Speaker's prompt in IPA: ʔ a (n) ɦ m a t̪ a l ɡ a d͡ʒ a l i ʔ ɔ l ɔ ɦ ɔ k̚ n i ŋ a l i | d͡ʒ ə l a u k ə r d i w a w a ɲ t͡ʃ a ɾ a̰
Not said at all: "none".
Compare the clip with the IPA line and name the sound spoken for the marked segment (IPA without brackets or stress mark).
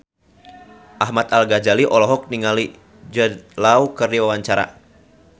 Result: none